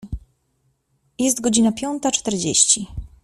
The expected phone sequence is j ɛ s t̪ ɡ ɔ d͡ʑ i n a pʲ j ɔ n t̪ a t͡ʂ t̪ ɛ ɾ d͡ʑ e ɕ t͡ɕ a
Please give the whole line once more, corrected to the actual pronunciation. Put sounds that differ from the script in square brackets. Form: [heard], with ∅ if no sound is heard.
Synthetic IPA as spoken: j ɛ s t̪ ɡ ɔ d͡ʑ i n a pʲ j ɔ n t̪ a t͡ʂ t̪ ɛ ɾ d͡ʑ e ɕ t͡ɕ [i]